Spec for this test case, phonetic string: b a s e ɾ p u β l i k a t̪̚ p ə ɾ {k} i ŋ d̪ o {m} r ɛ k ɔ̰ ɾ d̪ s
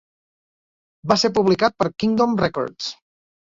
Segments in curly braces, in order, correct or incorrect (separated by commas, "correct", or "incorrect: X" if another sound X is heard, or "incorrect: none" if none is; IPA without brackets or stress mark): correct, correct